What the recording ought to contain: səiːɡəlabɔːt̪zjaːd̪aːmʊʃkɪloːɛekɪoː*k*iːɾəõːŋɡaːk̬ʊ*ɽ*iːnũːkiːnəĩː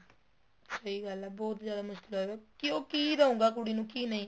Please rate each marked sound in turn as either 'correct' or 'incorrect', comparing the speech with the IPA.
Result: correct, correct

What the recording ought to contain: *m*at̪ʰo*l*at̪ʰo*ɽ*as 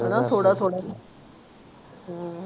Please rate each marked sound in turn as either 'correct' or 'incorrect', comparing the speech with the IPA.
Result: incorrect, incorrect, correct

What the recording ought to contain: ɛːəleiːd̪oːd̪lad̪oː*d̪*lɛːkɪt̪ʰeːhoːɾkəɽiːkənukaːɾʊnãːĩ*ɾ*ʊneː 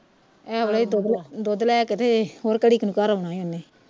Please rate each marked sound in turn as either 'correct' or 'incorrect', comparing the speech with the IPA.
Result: correct, incorrect

